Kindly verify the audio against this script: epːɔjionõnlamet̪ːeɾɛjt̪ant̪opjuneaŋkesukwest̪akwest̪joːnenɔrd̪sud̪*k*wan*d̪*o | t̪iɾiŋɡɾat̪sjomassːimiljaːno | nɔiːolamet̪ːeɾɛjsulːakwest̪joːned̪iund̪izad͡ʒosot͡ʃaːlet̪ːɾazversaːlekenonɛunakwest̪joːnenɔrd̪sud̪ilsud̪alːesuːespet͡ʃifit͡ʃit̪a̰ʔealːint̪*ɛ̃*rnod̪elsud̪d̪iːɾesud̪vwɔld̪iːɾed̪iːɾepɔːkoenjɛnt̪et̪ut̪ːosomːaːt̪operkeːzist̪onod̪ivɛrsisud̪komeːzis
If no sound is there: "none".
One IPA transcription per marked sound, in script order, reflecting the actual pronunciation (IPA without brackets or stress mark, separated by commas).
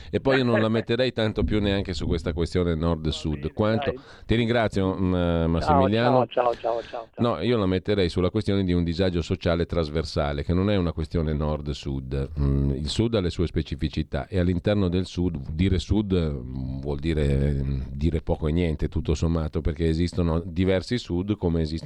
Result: k, t̪, ɛ